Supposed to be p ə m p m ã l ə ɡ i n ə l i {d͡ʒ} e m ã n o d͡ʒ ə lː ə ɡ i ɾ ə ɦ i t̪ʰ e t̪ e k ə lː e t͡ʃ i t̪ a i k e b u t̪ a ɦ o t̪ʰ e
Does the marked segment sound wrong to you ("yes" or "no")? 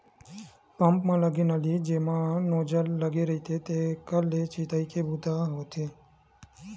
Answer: no